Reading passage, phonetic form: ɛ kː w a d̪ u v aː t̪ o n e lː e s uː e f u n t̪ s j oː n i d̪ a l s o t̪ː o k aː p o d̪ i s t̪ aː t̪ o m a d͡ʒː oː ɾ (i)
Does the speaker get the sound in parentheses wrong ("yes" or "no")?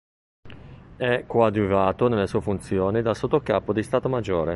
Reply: yes